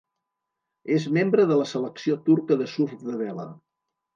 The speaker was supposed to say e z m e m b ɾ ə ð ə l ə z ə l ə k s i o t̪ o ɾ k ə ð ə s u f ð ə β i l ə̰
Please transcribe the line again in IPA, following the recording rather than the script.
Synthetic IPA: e z m e m b ɾ ə ð ə l ə s ə l ə k s i o t̪ u ɾ k ə ð ə s u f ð ə β ɛ l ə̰